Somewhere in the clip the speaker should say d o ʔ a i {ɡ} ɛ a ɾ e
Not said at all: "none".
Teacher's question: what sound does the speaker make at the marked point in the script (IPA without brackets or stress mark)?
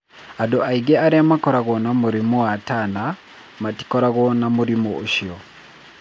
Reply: ɡ